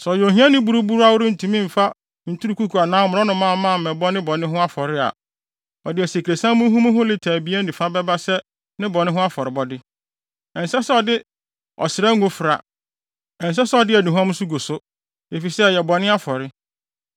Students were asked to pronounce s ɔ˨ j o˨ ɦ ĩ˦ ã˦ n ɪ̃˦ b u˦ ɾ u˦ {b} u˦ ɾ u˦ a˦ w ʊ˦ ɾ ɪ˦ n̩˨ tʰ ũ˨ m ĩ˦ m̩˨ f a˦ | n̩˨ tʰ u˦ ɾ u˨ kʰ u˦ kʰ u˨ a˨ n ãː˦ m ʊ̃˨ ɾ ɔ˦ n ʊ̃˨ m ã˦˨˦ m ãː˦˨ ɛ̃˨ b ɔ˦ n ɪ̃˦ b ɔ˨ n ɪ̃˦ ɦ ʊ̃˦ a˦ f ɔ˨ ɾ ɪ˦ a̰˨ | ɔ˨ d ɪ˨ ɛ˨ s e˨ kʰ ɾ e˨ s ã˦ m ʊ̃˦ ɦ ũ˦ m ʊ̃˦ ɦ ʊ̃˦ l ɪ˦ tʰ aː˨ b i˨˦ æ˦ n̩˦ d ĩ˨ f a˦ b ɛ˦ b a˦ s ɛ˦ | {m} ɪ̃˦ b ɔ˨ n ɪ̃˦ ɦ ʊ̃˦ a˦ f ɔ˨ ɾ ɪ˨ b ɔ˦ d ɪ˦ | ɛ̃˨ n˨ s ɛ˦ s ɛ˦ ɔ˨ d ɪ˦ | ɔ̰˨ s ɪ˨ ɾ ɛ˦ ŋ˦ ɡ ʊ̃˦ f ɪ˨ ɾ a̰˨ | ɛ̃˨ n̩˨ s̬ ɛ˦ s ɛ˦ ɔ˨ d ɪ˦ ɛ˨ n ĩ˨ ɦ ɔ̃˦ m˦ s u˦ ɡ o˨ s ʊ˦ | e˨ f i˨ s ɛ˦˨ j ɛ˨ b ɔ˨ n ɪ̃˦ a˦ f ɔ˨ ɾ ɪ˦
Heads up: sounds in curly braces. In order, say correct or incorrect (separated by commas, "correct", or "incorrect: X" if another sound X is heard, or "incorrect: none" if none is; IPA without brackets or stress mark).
correct, incorrect: n